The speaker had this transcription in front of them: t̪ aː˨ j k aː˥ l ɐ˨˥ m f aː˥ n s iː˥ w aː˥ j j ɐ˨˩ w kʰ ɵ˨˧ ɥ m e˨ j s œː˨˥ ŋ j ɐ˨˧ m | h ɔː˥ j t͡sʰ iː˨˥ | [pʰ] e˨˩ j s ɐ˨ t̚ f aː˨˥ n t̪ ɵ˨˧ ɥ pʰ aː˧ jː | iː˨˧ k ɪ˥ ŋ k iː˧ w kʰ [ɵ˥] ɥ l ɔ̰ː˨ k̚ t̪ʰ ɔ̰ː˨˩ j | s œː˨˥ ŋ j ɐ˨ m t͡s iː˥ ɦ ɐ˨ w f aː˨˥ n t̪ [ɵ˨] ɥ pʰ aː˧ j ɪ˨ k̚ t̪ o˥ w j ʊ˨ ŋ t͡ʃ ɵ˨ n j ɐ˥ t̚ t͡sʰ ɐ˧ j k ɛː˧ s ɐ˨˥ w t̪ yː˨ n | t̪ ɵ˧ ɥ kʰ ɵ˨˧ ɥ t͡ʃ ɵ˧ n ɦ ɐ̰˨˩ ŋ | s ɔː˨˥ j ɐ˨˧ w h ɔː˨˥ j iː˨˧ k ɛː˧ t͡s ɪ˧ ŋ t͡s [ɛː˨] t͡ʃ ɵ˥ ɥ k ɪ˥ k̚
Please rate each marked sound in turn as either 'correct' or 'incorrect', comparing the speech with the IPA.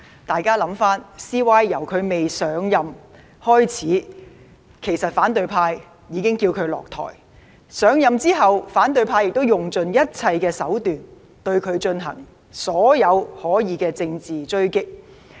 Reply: incorrect, incorrect, correct, incorrect

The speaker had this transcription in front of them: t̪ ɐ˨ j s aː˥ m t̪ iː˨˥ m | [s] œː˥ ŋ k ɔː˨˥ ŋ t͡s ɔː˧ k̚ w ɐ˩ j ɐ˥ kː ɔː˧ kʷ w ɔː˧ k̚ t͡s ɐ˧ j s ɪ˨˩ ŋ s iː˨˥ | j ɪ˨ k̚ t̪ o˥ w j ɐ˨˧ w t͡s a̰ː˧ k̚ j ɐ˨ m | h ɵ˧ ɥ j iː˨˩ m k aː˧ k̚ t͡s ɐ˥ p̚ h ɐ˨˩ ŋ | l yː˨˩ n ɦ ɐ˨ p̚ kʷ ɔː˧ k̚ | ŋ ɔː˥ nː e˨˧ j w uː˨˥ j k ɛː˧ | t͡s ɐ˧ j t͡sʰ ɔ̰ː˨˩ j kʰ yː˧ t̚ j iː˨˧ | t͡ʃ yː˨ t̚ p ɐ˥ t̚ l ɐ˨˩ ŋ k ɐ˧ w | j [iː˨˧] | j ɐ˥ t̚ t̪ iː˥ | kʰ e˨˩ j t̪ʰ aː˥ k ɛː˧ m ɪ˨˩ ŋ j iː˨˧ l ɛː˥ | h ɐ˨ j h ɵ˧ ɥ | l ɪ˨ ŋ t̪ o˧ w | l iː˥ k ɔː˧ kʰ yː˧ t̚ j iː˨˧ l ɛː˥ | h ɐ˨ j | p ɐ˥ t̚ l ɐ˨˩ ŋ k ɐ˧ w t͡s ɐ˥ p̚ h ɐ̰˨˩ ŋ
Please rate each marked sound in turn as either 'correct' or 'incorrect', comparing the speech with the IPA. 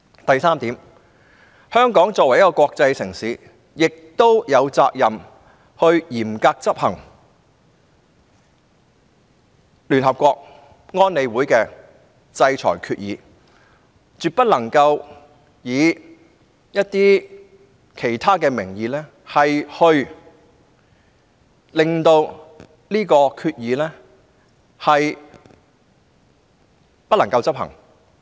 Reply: incorrect, correct

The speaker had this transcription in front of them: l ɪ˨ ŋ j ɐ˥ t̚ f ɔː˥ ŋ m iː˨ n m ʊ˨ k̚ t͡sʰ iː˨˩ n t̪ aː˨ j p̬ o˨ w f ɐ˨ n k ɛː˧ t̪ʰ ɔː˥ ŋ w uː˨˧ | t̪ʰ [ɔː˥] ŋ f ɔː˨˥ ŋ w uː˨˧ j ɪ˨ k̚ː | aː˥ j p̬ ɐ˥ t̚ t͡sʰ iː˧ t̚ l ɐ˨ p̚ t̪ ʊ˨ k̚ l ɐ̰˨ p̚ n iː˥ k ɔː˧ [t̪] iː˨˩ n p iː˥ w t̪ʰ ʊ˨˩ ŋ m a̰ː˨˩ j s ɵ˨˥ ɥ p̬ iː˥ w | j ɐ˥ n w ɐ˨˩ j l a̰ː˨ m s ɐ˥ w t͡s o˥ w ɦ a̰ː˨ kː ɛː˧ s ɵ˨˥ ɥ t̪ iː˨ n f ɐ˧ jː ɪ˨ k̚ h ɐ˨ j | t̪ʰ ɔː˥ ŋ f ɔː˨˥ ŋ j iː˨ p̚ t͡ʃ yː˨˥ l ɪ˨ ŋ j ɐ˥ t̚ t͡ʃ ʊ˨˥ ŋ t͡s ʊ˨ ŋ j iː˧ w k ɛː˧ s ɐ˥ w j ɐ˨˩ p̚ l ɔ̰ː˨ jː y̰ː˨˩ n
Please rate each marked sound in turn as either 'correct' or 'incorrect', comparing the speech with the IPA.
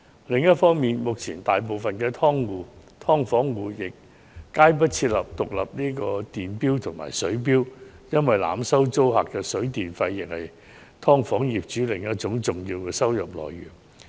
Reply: correct, correct

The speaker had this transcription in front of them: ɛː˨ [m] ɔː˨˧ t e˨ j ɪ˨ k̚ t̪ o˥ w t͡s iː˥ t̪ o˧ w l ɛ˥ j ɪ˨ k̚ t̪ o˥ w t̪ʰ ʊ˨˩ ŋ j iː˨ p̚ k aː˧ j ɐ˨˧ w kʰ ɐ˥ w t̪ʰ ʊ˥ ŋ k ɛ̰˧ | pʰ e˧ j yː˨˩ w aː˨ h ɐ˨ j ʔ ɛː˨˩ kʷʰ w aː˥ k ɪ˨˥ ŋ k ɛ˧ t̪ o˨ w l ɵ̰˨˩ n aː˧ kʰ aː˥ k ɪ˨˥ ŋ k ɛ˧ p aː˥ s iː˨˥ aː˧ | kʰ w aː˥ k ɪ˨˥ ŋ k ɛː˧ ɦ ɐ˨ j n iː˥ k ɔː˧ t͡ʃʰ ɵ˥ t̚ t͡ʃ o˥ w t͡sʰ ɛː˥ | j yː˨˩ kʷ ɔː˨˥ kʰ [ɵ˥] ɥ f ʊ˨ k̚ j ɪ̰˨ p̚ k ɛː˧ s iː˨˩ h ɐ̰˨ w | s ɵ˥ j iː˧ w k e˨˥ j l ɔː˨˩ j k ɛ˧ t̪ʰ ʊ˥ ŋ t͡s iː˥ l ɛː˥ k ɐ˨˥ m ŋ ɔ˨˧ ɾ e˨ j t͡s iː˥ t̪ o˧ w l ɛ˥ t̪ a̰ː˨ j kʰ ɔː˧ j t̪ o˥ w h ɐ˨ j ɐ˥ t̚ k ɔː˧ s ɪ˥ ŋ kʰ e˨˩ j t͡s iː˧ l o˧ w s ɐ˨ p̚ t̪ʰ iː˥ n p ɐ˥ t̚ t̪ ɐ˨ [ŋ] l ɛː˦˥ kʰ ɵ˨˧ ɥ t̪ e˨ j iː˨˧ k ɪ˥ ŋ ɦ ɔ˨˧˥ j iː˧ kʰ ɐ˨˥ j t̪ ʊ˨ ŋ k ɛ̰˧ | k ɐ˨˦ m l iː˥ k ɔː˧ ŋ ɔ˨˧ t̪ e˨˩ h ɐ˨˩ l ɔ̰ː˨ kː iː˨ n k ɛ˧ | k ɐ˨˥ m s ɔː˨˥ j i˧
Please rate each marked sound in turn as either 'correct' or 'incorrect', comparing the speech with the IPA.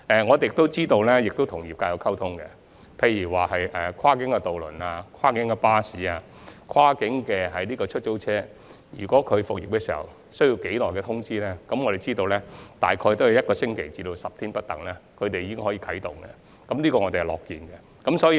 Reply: incorrect, incorrect, correct

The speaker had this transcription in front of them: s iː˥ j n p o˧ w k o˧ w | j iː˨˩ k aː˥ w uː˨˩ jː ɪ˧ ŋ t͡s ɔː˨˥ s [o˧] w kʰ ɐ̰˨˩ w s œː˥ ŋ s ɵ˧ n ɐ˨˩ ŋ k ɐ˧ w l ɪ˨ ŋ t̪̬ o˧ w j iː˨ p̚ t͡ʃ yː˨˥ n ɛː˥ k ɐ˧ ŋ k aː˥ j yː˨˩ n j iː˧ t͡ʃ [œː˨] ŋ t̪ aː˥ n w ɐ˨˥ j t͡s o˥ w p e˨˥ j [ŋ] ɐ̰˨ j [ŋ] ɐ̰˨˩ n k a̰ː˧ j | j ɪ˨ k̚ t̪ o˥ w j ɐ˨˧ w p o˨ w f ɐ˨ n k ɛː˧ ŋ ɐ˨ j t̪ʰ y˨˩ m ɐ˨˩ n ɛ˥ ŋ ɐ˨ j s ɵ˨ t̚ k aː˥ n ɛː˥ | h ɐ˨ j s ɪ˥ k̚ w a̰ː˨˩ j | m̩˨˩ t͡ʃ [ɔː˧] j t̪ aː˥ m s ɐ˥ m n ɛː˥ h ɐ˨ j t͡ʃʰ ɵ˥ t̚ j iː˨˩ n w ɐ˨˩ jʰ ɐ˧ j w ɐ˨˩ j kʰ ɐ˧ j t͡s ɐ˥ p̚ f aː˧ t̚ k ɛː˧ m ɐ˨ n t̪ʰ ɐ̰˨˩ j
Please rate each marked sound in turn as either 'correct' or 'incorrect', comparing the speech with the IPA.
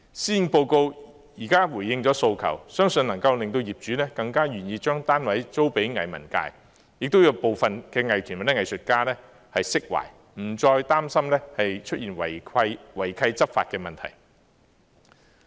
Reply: correct, incorrect, correct, incorrect, correct

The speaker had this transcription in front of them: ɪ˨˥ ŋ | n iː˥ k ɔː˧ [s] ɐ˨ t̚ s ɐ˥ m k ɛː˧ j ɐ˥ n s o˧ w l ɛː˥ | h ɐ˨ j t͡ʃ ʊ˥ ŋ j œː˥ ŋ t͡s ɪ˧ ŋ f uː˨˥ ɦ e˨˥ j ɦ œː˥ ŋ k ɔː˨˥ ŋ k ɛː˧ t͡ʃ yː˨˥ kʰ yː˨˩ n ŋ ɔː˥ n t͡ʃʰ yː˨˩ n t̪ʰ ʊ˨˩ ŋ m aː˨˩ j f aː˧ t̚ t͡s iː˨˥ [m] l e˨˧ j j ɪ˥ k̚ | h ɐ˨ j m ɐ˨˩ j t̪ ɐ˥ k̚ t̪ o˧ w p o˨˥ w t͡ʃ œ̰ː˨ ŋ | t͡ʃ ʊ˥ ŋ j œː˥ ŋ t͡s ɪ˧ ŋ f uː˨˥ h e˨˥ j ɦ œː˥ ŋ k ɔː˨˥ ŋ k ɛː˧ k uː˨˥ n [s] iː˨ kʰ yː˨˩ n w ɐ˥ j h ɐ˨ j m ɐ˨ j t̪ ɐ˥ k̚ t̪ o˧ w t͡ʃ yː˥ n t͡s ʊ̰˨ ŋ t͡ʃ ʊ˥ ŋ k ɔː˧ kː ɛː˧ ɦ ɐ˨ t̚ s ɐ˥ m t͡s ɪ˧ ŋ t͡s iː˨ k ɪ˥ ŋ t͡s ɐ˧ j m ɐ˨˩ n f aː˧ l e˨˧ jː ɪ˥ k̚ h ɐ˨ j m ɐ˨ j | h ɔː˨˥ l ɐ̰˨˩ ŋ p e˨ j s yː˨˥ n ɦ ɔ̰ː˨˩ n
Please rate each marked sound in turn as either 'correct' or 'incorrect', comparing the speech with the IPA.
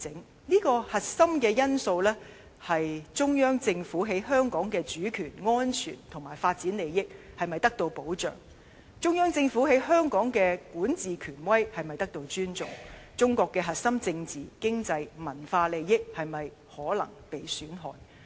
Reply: incorrect, incorrect, incorrect

